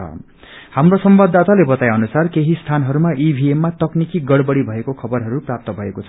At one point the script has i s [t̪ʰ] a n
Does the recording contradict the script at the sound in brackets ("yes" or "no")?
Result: no